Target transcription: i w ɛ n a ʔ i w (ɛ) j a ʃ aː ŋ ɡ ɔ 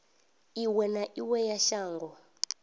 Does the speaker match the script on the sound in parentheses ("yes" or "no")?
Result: yes